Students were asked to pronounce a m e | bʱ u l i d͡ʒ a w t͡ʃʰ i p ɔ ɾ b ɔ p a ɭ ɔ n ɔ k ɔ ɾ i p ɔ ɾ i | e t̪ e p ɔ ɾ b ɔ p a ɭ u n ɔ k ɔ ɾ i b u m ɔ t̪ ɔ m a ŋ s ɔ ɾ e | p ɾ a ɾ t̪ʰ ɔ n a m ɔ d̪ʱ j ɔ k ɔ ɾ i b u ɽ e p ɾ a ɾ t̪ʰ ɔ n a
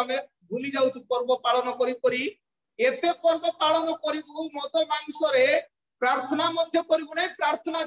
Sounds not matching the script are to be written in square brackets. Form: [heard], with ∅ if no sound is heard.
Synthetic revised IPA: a m e | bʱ u l i d͡ʒ a w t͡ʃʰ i p ɔ ɾ b ɔ p a ɭ ɔ n ɔ k ɔ ɾ i p ɔ ɾ i | e t̪ e p ɔ ɾ b ɔ p a ɭ [ɔ] n ɔ k ɔ ɾ i b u m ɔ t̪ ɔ m a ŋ s ɔ ɾ e | p ɾ a ɾ t̪ʰ ɔ n a m ɔ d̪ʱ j ɔ k ɔ ɾ i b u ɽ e p ɾ a ɾ t̪ʰ ɔ n a

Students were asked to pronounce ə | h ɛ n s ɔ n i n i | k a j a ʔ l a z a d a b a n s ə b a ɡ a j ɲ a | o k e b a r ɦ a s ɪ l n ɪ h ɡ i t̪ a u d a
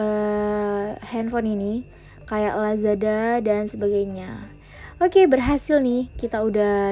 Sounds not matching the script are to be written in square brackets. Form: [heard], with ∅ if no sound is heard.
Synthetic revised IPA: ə | h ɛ n [f] ɔ n i n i | k a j a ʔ l a z a d a [d] a n s ə b a ɡ a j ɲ a | o k e b [ə] r ɦ a s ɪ l n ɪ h [k] i t̪ a u d a

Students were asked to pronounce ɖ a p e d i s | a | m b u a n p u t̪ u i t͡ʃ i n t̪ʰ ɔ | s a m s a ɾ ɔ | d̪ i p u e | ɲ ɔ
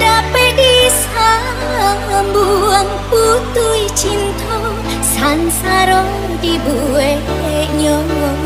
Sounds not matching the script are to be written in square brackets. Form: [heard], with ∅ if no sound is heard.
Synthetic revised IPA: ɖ a p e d i s | a | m b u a [ŋ] p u t̪ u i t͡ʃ i n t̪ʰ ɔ | s a [n] s a ɾ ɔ | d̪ i [b] u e | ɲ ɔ

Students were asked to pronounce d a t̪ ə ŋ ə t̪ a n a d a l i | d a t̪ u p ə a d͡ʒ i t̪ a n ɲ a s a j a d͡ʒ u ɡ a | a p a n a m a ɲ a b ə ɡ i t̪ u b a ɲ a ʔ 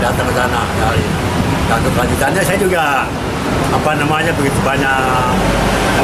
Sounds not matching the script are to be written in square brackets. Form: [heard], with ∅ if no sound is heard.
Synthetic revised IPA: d a t̪ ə ŋ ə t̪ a n a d a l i | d a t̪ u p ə a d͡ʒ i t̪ a n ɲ a s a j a d͡ʒ u ɡ a | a p a n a m a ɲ a b ə ɡ i t̪ u b a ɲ a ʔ

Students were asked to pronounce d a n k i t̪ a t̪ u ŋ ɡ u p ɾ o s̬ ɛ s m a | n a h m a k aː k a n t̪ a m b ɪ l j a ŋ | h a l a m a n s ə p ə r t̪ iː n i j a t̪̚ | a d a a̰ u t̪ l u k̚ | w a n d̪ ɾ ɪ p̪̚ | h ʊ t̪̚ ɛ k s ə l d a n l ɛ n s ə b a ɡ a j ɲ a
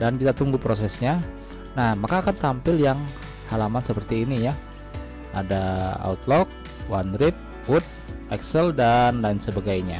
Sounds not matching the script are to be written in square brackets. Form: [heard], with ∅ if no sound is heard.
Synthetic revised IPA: d a n k i t̪ a t̪ u ŋ ɡ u p ɾ o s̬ ɛ s [ɲ] a | n a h m a k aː k a n t̪ a m [p] ɪ l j a ŋ | h a l a m a n s ə p ə r t̪ iː n i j a [∅] | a d a a̰ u t̪ l [ɔ] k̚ | w a n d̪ ɾ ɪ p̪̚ | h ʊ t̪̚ ɛ k s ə l d a n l [a] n s ə b a ɡ a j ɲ a

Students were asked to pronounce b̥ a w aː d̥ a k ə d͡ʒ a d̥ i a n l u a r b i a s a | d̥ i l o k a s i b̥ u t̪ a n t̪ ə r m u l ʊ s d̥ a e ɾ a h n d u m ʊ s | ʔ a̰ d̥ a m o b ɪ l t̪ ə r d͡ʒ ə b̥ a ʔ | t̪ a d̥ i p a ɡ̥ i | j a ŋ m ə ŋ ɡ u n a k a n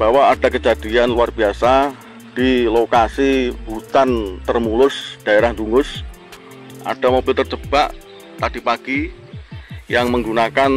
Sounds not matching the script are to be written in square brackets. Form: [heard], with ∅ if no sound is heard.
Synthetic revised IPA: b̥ a w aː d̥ a k ə d͡ʒ a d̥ i a n l u a r b i a s a | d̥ i l o k a s i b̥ u t̪ a n t̪ ə r m u l ʊ s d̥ a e ɾ a h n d u [ŋ] ʊ s | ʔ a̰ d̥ a m o b ɪ l t̪ ə r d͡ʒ ə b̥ a ʔ | t̪ a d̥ i p a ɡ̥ i | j a ŋ m ə ŋ ɡ u n a k a n

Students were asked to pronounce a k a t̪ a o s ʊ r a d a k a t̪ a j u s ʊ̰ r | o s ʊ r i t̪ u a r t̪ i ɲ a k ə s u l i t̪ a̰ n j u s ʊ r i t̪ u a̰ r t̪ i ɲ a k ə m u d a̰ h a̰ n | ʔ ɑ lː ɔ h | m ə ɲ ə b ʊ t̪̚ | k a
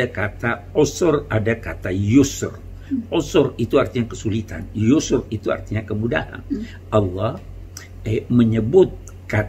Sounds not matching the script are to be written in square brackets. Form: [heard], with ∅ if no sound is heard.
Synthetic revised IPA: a k a t̪ a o s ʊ r a d a k a t̪ a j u s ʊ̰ r | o s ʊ r i t̪ u a r t̪ i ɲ a k ə s u l i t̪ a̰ n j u s ʊ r i t̪ u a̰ r t̪ i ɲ a k ə m u d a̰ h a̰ n | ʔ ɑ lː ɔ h | m ə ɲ ə b ʊ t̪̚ | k a

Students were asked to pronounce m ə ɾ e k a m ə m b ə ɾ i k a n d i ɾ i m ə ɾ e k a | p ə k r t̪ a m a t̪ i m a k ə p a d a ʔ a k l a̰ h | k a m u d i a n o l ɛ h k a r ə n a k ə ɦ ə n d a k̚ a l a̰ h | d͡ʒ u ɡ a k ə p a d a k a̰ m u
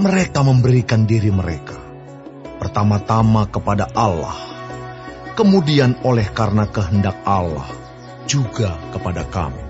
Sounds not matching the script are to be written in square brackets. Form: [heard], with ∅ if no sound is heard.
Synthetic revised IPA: m ə ɾ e k a m ə m b ə ɾ i k a n d i ɾ i m ə ɾ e k a | p ə [∅] r t̪ a m a t̪ [a] m a k ə p a d a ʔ a [∅] l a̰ h | k [ə] m u d i a n o l ɛ h k a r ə n a k ə ɦ ə n d a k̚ a l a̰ h | d͡ʒ u ɡ a k ə p a d a k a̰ m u

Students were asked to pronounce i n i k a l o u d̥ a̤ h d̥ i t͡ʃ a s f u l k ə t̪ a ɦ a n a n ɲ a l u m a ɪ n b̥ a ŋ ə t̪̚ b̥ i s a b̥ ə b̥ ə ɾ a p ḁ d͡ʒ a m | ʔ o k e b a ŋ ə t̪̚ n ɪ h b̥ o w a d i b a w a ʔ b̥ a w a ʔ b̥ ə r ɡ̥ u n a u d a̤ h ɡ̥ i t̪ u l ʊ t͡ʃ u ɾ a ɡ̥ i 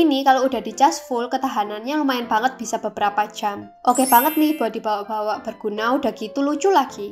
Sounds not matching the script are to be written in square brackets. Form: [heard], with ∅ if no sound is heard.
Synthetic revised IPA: i n i k a l o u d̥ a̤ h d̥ i t͡ʃ a s f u l k ə t̪ a ɦ a n a n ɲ a l u m a ɪ n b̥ a ŋ ə t̪̚ b̥ i s a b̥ ə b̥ ə ɾ a p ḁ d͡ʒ a m | ʔ o k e b a ŋ ə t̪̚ n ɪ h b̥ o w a d i b a w a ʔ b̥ a w a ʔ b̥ ə r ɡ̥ u n a u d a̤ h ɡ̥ i t̪ u l [u] t͡ʃ u [l] a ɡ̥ i

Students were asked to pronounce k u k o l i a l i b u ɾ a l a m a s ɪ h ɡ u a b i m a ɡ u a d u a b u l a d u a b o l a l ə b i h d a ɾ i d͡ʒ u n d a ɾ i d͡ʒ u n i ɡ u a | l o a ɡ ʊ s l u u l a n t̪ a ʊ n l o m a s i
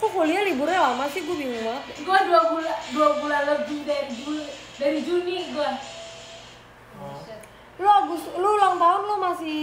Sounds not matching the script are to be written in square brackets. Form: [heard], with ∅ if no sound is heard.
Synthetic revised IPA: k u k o l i a l i b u ɾ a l a m a s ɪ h ɡ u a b i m a ɡ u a d u a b u l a d u a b [u] l a l ə b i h d a ɾ i d͡ʒ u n d a ɾ i d͡ʒ u n i ɡ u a | l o a ɡ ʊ s l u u l a [ŋ] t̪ a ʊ n l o m a s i

